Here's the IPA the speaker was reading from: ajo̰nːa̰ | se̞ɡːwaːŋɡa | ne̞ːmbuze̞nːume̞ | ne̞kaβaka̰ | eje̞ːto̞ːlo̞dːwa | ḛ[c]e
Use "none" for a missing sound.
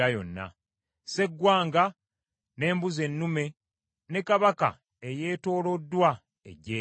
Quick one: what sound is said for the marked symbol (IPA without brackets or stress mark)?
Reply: ɟ